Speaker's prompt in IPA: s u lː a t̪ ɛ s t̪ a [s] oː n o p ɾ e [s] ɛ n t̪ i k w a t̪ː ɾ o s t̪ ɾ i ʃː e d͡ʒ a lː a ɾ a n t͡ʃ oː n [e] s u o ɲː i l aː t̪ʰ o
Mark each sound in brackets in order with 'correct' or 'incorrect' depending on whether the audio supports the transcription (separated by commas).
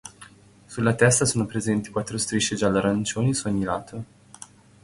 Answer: correct, incorrect, incorrect